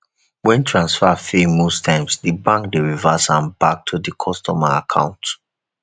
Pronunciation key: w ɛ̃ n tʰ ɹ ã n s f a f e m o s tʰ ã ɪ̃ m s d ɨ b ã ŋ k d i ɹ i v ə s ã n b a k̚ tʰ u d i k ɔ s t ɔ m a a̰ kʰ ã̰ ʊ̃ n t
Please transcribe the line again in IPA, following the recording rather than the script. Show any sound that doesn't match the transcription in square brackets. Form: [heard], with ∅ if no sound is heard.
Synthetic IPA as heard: w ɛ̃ n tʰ ɹ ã n s f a f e m o s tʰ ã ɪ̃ m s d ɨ b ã ŋ k d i ɹ i v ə s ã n b a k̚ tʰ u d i [kʰ] ɔ s t ɔ m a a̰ kʰ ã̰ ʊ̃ n t